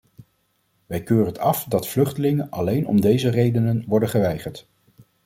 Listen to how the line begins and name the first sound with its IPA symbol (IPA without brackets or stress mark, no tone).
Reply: ʋ